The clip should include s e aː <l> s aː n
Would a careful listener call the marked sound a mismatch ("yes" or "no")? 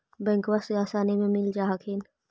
yes